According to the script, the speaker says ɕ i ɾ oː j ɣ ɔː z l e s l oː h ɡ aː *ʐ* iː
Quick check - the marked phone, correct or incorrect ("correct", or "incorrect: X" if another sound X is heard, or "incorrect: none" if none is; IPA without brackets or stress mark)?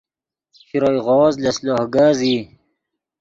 incorrect: z